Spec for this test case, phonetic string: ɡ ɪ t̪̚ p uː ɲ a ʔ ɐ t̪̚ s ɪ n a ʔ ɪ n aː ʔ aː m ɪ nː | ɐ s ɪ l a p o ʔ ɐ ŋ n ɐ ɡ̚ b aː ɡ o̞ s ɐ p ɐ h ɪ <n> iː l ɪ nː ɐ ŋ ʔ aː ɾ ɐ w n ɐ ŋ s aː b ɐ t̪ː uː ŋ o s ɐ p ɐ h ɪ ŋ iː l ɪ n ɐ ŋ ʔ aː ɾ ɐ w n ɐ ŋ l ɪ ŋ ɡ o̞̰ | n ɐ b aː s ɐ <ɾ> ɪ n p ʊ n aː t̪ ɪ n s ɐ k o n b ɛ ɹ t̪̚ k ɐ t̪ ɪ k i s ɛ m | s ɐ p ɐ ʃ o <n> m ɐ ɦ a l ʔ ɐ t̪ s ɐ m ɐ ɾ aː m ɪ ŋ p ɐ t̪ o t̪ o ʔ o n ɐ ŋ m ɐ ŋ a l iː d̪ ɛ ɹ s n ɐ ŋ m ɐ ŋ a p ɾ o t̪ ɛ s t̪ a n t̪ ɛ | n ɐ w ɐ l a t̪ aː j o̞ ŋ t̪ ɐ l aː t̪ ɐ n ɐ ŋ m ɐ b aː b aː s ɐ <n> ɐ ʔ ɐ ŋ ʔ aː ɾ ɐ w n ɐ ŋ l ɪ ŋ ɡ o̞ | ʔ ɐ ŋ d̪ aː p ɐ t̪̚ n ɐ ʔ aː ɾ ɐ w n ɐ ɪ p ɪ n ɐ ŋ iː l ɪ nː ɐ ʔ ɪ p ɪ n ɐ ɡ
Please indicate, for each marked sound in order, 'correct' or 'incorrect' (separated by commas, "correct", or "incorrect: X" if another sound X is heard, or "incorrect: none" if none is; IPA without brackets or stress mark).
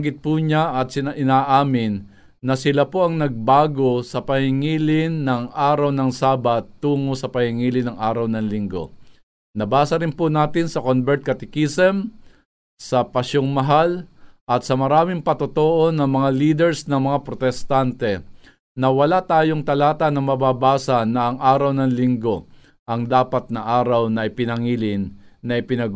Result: incorrect: ŋ, correct, incorrect: ŋ, correct